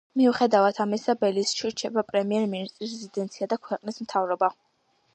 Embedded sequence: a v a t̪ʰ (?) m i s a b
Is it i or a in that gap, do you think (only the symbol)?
a